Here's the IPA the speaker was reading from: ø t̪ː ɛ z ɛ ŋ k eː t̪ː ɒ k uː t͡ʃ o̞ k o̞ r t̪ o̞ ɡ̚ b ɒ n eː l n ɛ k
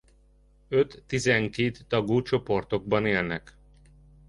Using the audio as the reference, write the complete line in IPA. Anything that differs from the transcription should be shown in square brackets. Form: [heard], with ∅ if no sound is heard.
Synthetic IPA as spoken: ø t̪ː [i] z ɛ ŋ k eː t̪ː ɒ [ɡ] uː t͡ʃ o̞ [p] o̞ r t̪ o̞ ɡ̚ b ɒ n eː l n ɛ k